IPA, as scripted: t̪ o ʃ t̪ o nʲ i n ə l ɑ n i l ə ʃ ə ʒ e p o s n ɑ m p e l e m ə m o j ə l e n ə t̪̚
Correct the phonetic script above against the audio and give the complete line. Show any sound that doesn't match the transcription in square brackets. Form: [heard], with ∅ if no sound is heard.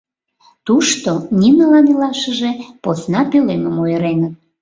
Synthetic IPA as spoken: t̪ [u] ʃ t̪ o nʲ i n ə l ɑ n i l [ɑ] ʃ ə ʒ e p o s n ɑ [∅] p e l e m ə m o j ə [ɾ] e n ə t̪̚